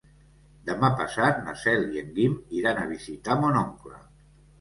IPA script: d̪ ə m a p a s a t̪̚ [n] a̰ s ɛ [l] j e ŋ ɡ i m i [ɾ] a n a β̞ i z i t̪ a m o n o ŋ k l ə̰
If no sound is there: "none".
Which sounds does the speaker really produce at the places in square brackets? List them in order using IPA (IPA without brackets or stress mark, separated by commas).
n, l, ɾ